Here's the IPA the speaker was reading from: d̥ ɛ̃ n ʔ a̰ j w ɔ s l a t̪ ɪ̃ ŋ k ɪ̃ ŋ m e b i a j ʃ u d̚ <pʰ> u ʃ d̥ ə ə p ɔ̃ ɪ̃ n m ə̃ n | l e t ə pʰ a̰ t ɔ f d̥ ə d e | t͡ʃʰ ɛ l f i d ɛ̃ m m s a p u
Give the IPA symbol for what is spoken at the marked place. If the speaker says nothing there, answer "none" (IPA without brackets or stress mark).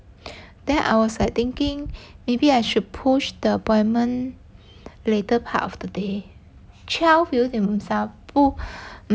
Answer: pʰ